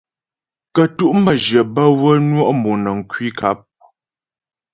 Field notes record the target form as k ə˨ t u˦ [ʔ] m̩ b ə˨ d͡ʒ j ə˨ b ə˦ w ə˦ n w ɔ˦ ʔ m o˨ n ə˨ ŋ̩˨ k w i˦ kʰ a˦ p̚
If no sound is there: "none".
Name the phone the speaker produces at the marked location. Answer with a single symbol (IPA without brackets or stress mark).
ʔ